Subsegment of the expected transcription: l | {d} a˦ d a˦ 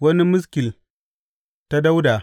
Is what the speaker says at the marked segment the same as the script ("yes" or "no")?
no